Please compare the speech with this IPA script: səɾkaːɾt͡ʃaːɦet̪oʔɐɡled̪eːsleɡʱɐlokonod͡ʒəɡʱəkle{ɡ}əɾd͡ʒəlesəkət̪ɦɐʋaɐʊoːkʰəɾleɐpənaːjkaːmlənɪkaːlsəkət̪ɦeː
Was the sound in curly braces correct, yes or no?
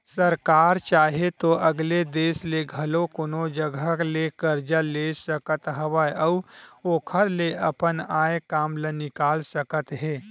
no